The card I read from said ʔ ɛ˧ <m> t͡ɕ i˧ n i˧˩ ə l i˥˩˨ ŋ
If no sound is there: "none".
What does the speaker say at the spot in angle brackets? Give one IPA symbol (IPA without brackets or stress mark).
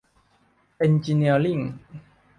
n